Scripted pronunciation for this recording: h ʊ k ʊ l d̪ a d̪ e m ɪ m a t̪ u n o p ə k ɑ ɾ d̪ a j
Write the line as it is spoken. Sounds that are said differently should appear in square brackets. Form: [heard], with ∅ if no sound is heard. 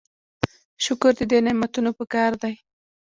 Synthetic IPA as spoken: [ʃ] ʊ k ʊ [ɾ] d̪ [ə] d̪ e [n] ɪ m a t̪ u n o p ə k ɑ ɾ d̪ a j